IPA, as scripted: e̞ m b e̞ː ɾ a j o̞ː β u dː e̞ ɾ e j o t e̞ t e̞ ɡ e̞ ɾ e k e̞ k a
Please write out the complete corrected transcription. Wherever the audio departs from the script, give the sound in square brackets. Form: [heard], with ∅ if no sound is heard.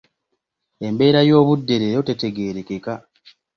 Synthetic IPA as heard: e̞ m b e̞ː ɾ a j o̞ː β u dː e̞ ɾ e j o t e̞ t e̞ ɡ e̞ ɾ e k e̞ k a